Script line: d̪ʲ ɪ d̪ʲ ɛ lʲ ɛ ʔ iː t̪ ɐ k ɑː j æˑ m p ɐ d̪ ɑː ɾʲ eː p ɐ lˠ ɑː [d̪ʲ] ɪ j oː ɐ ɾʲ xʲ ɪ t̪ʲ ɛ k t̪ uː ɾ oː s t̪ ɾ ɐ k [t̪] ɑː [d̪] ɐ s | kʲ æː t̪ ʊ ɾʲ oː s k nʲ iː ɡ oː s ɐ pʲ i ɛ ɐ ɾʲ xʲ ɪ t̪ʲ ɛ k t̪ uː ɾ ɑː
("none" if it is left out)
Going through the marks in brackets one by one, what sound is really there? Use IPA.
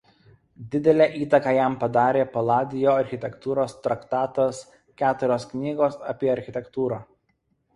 d̪ʲ, t̪, t̪

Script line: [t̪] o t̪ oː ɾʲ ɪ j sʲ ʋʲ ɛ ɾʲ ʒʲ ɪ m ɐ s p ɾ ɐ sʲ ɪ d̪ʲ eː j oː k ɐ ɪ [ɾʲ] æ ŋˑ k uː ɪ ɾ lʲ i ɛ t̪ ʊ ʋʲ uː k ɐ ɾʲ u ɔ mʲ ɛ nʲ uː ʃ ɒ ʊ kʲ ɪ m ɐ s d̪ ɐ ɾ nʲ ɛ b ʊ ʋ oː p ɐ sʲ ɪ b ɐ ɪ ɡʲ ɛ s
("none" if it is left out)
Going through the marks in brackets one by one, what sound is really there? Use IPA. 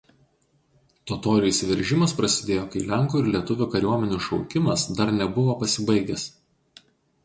t̪, lʲ

